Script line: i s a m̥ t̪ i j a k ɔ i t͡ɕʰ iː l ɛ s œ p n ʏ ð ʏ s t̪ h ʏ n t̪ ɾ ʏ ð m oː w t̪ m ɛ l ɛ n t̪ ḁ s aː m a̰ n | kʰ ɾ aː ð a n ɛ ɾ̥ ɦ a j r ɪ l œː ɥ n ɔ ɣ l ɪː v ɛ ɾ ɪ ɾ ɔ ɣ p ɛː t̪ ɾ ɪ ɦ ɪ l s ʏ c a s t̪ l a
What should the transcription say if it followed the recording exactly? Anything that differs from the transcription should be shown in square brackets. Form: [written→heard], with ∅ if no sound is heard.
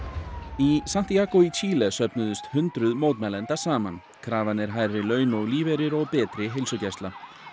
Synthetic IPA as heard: i s a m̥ t̪ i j a k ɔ i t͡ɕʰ iː l ɛ s œ p n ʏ ð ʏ s t̪ h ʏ n t̪ ɾ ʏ ð m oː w t̪ m ɛ l ɛ n t̪ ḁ s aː m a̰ n | kʰ ɾ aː [ð→v] a n ɛ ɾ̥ ɦ a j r ɪ l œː ɥ n ɔ ɣ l [ɪː→iː] v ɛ ɾ ɪ ɾ ɔ ɣ p ɛː t̪ ɾ ɪ ɦ ɪ l s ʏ c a s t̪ l a